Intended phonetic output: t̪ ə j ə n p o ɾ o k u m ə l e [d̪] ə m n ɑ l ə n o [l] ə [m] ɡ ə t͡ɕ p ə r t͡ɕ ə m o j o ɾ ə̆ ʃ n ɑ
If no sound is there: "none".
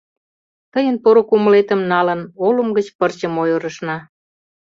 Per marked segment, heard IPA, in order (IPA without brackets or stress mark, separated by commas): t̪, l, m